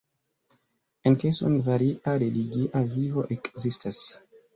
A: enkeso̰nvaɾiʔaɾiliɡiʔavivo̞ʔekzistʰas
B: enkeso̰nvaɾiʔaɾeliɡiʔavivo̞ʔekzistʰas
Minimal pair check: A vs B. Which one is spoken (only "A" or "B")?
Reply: B